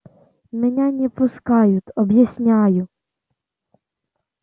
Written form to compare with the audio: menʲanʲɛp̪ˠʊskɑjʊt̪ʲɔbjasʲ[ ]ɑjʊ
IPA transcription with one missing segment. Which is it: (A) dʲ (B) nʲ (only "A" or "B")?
B